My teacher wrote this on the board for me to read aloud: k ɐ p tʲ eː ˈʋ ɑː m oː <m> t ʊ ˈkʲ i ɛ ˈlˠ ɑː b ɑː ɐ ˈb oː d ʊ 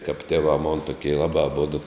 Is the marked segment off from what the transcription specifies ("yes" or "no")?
yes